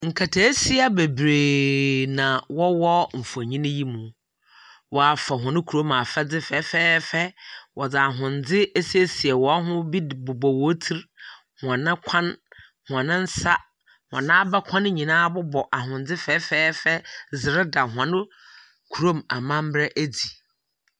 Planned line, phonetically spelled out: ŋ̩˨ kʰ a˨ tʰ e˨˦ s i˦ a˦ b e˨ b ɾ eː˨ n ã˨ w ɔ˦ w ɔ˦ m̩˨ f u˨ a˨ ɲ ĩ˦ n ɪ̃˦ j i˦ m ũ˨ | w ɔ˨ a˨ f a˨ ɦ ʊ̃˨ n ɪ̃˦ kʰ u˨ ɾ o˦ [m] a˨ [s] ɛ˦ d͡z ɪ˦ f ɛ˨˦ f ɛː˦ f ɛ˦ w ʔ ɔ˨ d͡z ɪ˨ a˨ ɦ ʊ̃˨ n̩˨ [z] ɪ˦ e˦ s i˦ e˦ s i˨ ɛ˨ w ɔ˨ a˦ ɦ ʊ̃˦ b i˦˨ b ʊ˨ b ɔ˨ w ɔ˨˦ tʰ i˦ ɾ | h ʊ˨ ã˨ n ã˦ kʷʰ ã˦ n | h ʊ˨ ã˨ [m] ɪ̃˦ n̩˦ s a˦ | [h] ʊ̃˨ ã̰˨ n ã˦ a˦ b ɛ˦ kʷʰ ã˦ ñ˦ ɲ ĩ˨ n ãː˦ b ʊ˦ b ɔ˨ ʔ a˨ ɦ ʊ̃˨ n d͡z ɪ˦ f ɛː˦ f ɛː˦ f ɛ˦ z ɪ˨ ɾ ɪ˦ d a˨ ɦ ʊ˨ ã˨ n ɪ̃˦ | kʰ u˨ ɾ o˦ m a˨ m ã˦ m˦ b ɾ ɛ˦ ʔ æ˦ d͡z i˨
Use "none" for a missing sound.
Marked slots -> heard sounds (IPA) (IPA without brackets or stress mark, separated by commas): m, f, d͡z, n, h